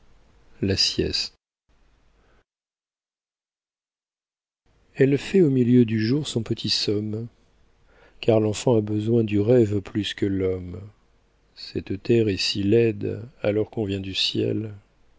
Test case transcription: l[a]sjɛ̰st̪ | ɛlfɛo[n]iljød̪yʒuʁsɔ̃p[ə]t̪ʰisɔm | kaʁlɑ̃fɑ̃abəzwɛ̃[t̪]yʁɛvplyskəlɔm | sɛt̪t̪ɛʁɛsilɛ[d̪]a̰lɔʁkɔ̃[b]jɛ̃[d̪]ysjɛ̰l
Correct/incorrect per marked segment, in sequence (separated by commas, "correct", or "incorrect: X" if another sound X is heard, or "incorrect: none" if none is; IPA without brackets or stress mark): correct, incorrect: m, correct, incorrect: d̪, correct, incorrect: v, correct